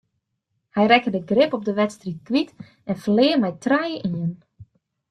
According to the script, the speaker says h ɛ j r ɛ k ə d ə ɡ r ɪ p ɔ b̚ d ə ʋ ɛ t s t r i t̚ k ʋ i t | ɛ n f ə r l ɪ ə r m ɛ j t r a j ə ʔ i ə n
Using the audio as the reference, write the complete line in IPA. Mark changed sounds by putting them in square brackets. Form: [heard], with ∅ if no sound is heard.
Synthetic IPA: h ɛ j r ɛ k ə d ə ɡ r ɪ p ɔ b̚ d ə ʋ ɛ t s t r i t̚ k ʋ i t | ɛ n f ə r l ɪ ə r m ɛ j t r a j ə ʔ i ə n